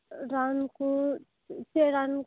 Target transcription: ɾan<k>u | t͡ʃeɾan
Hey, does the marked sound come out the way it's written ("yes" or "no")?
yes